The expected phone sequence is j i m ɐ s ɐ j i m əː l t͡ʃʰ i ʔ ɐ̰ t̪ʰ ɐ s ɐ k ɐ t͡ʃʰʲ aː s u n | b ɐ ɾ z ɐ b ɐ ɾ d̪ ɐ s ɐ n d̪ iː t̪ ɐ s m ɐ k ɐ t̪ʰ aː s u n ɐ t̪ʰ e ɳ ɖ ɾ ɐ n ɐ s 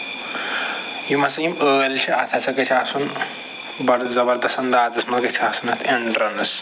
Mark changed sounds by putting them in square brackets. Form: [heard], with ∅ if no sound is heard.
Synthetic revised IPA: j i m ɐ s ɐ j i m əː l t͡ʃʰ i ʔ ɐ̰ t̪ʰ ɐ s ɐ k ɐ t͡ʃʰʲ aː s u n | b ɐ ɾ z ɐ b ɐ ɾ d̪ ɐ s ɐ n d̪ [aː] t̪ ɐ s m ɐ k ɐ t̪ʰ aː s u n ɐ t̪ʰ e ɳ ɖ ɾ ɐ n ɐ s